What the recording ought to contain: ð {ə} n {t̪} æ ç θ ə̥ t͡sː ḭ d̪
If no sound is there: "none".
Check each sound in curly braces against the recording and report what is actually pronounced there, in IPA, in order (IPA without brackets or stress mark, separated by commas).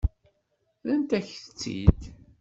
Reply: ə, t̪